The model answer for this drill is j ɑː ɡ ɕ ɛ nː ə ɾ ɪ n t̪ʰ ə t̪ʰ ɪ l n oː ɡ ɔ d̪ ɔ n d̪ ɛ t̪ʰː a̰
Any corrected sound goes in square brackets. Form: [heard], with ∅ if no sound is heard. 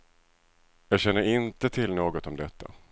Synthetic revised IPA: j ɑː ɡ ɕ ɛ nː ə ɾ ɪ n [t̪] ə t̪ʰ ɪ l n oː ɡ ɔ [t̪] ɔ [m] d̪ ɛ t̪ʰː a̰